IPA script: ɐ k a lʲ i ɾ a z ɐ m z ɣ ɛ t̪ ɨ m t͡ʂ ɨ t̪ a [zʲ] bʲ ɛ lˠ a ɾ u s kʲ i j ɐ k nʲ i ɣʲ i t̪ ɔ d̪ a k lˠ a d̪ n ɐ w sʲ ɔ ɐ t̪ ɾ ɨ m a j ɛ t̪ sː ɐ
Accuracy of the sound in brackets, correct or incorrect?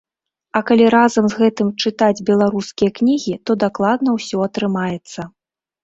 incorrect